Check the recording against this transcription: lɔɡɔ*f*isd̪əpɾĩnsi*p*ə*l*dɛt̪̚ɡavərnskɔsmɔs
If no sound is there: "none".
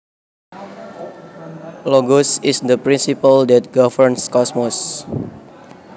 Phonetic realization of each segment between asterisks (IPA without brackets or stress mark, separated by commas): s, p, l